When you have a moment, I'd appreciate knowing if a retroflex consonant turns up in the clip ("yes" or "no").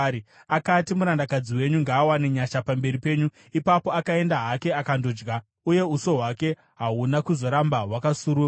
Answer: no